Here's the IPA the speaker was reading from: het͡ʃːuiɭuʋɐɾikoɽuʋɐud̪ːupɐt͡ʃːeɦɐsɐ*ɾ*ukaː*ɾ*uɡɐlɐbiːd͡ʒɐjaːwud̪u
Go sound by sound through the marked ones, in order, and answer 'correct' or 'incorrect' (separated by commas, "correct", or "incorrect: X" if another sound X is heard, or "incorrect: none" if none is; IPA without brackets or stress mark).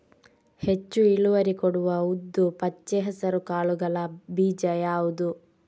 correct, incorrect: ɭ